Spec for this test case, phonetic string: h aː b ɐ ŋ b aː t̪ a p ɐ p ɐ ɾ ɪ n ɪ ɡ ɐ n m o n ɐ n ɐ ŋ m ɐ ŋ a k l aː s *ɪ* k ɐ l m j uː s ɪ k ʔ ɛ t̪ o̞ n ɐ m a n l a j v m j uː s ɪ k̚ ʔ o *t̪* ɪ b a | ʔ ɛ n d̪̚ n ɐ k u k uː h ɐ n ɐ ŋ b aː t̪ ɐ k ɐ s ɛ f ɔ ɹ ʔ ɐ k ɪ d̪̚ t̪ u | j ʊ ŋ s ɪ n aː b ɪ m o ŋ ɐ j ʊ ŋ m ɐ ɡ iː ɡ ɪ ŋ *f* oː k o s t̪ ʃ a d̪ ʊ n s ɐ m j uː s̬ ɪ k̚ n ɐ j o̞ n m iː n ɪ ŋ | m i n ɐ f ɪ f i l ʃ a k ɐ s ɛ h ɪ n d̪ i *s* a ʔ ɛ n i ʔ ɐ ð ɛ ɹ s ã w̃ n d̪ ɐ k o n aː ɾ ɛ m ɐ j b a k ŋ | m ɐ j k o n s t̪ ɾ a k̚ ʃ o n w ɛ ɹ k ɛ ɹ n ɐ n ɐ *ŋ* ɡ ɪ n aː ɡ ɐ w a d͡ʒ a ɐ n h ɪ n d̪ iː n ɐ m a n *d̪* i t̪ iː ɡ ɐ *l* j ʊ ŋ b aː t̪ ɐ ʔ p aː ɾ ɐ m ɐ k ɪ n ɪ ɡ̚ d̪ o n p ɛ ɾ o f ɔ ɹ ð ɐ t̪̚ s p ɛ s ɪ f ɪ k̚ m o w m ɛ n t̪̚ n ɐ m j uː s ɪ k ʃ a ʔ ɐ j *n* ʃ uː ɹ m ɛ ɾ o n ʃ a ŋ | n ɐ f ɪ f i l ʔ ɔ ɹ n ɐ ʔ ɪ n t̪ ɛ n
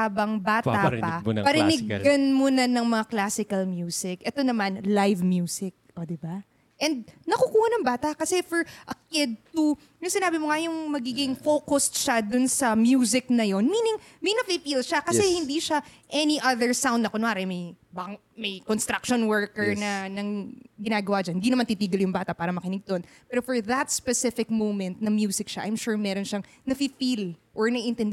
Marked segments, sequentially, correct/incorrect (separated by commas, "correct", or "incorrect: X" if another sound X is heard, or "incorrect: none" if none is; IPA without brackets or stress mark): correct, incorrect: d̪, correct, incorrect: ʃ, correct, incorrect: t̪, correct, incorrect: m